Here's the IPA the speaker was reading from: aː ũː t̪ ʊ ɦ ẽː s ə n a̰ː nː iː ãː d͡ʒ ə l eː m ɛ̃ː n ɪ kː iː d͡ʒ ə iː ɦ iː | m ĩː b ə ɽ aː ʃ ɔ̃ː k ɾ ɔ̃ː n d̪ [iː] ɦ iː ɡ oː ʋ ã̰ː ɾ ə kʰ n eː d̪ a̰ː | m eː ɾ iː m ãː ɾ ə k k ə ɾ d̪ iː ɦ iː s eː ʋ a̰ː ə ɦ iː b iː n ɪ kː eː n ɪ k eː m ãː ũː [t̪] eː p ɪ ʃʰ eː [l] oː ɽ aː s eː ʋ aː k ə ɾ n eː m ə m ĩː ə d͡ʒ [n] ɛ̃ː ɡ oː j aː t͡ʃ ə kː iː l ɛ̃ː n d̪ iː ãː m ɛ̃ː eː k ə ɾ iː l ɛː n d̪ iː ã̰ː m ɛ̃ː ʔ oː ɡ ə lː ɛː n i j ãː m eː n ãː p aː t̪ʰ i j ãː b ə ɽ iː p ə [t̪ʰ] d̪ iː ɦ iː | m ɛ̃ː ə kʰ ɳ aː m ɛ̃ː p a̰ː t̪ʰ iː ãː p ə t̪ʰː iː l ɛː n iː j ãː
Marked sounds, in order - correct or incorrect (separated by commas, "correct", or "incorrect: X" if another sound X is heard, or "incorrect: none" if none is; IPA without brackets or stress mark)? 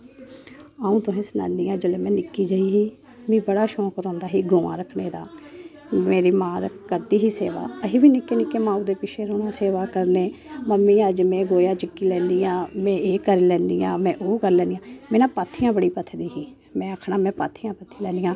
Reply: incorrect: aː, incorrect: d̪, incorrect: ɾ, incorrect: m, correct